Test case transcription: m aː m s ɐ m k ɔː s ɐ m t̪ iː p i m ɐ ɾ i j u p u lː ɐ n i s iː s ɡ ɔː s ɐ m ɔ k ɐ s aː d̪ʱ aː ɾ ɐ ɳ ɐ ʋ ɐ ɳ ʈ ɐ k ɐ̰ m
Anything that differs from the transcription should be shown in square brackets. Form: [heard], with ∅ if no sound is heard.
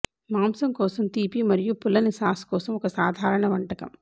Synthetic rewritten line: m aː m s ɐ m k ɔː s ɐ m t̪ iː p i m ɐ ɾ i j u p u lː ɐ n i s [aː] s [k] ɔː s ɐ m ɔ k ɐ s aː d̪ʱ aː ɾ ɐ ɳ ɐ ʋ ɐ ɳ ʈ ɐ k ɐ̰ m